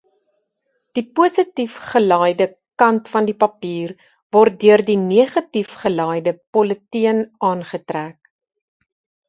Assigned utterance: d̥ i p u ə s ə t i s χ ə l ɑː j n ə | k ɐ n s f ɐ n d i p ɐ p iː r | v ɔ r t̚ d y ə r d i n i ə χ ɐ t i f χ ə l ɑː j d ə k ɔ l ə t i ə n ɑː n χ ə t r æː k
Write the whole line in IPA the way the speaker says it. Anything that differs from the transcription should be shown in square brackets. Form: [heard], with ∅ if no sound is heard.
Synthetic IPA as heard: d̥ i p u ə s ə t i [f] χ ə l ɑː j [d] ə | k ɐ n [t] f ɐ n d i p ɐ p iː r | v ɔ r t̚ d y ə r d i n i ə χ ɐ t i f χ ə l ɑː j d ə [p] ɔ l ə t i ə n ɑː n χ ə t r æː k